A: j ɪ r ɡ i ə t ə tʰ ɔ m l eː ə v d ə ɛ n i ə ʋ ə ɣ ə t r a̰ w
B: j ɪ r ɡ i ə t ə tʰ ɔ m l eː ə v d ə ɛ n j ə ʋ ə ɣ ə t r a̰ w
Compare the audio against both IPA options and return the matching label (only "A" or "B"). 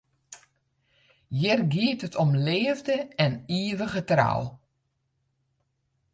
A